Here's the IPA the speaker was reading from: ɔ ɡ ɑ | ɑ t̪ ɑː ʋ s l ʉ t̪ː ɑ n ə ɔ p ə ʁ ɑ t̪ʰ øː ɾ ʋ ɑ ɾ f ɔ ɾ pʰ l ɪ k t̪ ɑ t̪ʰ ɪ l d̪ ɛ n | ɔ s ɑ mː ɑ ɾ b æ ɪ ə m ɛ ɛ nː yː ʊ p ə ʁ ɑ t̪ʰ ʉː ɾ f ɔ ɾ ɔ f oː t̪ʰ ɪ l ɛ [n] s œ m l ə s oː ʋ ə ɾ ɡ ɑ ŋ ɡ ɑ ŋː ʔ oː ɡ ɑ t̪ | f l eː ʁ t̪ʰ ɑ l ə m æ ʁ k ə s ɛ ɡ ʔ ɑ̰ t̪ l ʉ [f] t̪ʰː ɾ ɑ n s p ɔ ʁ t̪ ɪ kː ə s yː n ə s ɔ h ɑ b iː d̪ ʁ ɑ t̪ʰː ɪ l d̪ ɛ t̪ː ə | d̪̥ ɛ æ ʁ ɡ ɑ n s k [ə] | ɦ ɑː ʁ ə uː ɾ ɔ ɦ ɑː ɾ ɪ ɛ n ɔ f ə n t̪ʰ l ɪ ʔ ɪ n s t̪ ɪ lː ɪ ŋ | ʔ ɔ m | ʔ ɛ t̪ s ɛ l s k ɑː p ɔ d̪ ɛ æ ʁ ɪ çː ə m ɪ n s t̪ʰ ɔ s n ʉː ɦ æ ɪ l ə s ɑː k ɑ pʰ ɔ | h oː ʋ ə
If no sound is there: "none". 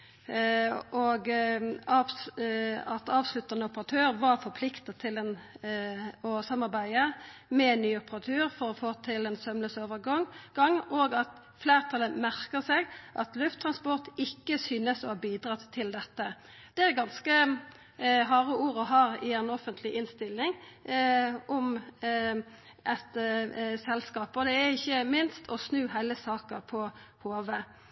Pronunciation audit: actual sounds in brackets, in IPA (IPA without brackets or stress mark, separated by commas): n, f, ə